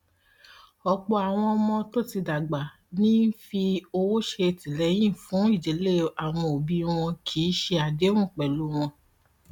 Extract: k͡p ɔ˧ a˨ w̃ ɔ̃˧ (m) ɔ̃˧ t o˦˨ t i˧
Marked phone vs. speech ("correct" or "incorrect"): correct